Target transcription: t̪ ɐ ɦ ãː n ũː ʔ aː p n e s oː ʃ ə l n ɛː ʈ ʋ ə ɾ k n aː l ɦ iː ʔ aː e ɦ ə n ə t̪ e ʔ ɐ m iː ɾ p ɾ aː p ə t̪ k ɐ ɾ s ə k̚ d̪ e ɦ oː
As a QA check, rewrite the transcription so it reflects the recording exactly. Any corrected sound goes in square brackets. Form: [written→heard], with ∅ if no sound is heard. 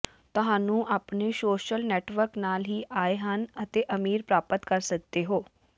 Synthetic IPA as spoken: t̪ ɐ ɦ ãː n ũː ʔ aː p n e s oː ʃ ə l n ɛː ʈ ʋ ə ɾ k n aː l ɦ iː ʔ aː e ɦ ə n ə t̪ e ʔ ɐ m iː ɾ p ɾ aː p ə t̪ k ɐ ɾ s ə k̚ d̪ e ɦ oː